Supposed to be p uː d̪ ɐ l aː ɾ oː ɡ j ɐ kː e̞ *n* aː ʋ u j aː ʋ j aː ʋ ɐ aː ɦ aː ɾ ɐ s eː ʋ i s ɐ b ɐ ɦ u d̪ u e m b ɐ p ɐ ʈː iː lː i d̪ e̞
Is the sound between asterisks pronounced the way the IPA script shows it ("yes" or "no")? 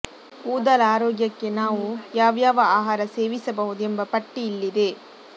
yes